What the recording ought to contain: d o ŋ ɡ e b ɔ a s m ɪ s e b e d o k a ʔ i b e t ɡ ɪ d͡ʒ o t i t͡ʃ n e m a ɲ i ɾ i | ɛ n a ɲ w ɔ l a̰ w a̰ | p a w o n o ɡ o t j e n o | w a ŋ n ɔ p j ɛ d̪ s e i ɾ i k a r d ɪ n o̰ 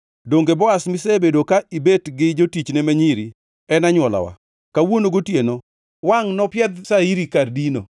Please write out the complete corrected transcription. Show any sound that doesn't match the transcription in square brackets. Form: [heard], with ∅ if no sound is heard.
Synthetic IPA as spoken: d o ŋ ɡ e b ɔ a s m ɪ s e b e d o k a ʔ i b e t ɡ ɪ d͡ʒ o t i t͡ʃ n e m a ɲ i ɾ i | ɛ n a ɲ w ɔ l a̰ w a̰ | [k] a w o n o ɡ o t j e n o | w a ŋ n ɔ p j ɛ d̪ s [a] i ɾ i k a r d [i] n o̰